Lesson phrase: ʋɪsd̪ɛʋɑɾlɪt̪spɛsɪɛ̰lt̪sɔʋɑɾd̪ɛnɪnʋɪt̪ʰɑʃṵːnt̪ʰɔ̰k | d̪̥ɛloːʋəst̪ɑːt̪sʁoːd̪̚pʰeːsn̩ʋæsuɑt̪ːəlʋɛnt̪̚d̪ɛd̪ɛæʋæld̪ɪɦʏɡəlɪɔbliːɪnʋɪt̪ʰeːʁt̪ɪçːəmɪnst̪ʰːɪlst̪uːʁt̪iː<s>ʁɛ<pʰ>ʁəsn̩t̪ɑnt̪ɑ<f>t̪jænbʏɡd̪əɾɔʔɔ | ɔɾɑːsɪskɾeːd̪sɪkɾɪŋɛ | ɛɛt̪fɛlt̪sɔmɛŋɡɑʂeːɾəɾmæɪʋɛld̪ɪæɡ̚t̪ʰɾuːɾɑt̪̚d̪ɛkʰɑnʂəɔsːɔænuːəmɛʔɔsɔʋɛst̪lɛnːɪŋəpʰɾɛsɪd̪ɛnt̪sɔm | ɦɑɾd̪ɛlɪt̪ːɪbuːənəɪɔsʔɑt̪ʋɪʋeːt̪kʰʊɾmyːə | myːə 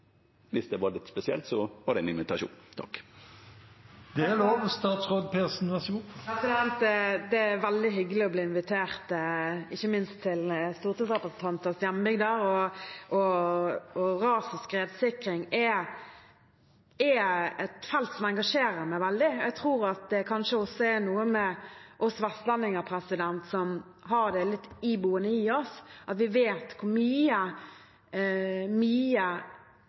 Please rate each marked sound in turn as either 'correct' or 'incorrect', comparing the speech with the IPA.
correct, incorrect, incorrect

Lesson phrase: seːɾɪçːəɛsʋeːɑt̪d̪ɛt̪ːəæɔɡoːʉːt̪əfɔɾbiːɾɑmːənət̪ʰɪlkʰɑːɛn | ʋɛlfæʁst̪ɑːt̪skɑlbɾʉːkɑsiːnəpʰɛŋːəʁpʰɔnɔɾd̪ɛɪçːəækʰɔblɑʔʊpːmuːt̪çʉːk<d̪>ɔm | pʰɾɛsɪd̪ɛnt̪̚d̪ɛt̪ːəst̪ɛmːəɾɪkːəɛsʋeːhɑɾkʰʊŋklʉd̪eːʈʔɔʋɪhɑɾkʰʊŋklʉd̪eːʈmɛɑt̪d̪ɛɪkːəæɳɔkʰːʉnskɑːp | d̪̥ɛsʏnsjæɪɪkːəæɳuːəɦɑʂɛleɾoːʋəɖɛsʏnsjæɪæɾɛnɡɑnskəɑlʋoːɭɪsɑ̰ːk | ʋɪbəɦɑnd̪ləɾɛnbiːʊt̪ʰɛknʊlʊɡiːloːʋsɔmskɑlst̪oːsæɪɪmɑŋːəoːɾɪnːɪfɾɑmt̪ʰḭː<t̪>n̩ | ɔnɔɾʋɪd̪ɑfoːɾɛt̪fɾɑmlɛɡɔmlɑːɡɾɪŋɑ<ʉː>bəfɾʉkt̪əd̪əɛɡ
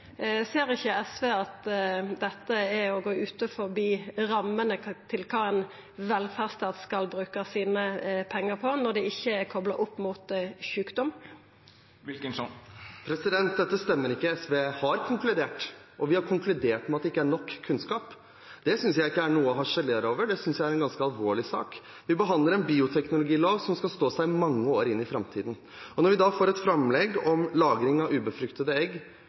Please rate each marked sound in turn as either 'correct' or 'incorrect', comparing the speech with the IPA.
correct, incorrect, correct

